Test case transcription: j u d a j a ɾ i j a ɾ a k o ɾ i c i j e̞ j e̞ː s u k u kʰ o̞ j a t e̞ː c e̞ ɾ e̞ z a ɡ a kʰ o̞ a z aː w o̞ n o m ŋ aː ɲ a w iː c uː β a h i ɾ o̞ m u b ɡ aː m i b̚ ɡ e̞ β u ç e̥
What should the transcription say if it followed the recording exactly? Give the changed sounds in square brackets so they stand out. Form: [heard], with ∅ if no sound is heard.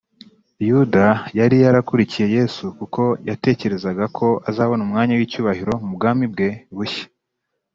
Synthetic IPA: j u d a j a ɾ i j a ɾ a k [u] ɾ i c i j e̞ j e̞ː s u k u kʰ o̞ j a t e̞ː c e̞ ɾ e̞ z a ɡ a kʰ o̞ a z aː [β] o̞ n [u] m ŋ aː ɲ a w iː c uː β a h i ɾ o̞ m u b ɡ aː m i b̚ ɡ e̞ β u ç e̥